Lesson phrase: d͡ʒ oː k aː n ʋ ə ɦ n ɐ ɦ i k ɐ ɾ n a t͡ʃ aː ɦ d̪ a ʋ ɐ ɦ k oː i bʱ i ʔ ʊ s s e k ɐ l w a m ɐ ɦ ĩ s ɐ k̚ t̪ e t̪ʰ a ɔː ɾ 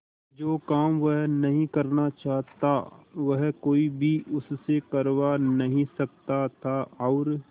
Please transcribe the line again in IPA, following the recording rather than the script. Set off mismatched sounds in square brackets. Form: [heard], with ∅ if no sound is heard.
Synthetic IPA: d͡ʒ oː k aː [m] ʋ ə ɦ n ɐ ɦ [ĩ] k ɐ ɾ n a t͡ʃ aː ɦ [t̪] a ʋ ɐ ɦ k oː i bʱ i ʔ ʊ s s e k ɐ [ɾ] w a [n] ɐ ɦ ĩ s ɐ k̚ t̪ [a] t̪ʰ a ɔː ɾ

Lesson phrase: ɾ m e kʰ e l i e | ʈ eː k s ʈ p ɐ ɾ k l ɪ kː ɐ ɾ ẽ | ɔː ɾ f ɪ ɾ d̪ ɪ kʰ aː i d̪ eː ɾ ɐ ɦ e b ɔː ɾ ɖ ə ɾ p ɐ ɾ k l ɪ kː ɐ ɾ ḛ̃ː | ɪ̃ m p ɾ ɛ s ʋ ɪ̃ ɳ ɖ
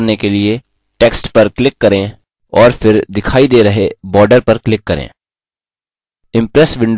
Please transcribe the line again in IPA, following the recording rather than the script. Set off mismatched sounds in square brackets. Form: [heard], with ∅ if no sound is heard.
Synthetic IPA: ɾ [n] e [k] e l i e | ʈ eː k s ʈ p ɐ ɾ k l ɪ kː ɐ ɾ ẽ | ɔː ɾ f ɪ ɾ d̪ ɪ kʰ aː i d̪ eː ɾ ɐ ɦ e b ɔː ɾ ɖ ə ɾ p ɐ ɾ k l ɪ kː ɐ ɾ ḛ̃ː | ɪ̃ m p ɾ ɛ s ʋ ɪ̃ ɳ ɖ

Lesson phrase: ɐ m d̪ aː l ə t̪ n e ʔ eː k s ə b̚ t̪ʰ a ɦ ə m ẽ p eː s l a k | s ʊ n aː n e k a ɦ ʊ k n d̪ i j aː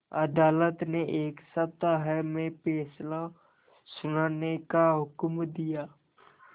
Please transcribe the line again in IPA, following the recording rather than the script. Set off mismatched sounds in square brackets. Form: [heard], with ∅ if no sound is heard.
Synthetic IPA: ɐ [∅] d̪ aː l ə t̪ n e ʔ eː k s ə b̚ [t̪] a ɦ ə m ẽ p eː s l a [∅] | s ʊ n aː n e k a ɦ ʊ k [m] d̪ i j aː

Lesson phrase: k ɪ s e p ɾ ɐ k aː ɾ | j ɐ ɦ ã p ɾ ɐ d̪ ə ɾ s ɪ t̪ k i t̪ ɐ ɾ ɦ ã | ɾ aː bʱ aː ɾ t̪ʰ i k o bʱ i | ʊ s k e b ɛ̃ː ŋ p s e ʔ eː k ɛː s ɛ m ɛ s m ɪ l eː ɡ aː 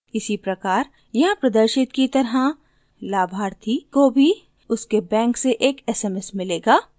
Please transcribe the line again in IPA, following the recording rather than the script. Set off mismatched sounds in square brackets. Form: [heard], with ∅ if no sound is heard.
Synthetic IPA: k ɪ s [i] p ɾ ɐ k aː ɾ | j ɐ ɦ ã p ɾ ɐ d̪ ə ɾ [ʃ] ɪ t̪ k i t̪ ɐ ɾ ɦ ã | [l] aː bʱ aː ɾ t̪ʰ i k o bʱ i | ʊ s k e b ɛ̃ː ŋ [k] s e ʔ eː k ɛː s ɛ m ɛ s m ɪ l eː ɡ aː

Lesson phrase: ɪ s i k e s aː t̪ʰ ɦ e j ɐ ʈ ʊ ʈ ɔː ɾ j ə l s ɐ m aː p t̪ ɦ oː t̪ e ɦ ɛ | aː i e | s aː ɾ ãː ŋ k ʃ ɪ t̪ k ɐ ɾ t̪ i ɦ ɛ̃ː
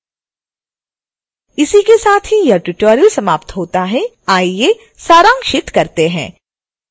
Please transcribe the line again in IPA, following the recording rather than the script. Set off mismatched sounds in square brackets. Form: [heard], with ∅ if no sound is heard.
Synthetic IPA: ɪ s i k e s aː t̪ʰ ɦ [i] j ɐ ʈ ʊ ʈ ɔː ɾ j ə l s ɐ m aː p t̪ ɦ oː t̪ [a] ɦ ɛ | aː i e | s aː ɾ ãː ŋ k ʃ ɪ t̪ k ɐ ɾ t̪ [e] ɦ ɛ̃ː

